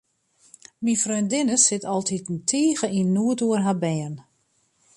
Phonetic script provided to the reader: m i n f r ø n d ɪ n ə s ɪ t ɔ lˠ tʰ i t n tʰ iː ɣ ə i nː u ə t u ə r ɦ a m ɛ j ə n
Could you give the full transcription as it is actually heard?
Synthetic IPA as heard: m i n f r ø n d ɪ n ə s ɪ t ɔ lˠ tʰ i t n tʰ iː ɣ ə i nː u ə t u ə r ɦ a b ɛ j ə n